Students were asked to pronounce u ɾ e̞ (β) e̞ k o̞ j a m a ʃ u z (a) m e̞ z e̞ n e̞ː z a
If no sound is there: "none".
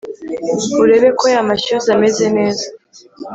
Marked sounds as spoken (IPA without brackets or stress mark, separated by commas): β, a